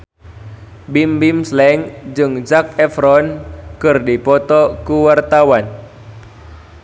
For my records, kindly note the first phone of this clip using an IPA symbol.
b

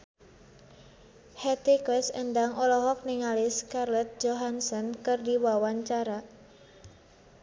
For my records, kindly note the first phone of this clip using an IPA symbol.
h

